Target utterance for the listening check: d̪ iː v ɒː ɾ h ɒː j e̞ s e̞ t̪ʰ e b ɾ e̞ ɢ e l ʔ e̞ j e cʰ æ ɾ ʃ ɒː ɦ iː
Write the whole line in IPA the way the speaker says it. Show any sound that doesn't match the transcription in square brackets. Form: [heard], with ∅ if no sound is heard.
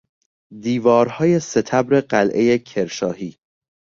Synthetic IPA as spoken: d̪ iː v ɒː ɾ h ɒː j e̞ s e̞ t̪ʰ [æ] b ɾ e̞ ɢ [æ] l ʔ e̞ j e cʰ [e] ɾ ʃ ɒː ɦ iː